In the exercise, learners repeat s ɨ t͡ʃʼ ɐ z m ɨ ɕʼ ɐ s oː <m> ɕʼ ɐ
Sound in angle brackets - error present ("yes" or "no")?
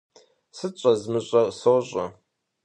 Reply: yes